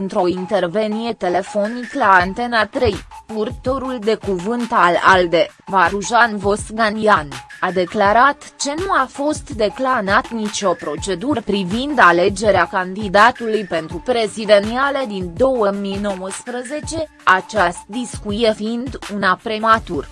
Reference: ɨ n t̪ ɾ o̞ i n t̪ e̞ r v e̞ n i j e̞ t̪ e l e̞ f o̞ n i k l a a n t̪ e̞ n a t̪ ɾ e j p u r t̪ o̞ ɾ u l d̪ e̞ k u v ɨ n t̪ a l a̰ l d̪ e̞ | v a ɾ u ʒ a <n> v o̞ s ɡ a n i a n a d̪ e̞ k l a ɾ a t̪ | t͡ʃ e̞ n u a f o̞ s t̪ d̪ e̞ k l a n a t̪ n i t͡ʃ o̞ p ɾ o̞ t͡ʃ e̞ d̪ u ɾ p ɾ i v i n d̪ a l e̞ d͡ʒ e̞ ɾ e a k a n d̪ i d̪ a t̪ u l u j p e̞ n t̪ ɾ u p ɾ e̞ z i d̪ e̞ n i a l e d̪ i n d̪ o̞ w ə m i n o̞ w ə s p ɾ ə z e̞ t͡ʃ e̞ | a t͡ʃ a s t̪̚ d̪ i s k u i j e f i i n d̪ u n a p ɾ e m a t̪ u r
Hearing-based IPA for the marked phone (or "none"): n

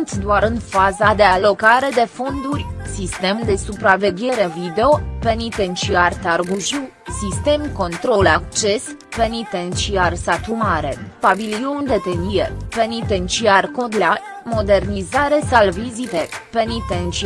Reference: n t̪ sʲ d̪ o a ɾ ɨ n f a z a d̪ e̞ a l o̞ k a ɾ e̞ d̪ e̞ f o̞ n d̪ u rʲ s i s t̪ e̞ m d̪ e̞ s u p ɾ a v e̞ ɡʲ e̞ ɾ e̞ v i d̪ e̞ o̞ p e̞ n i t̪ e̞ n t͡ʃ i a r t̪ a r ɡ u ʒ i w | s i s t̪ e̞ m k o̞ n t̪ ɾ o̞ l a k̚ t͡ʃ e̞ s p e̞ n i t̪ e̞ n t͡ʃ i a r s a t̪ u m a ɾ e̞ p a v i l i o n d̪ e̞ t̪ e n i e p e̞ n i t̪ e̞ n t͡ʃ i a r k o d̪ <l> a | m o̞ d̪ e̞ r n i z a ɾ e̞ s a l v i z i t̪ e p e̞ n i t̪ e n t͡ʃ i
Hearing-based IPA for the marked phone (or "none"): l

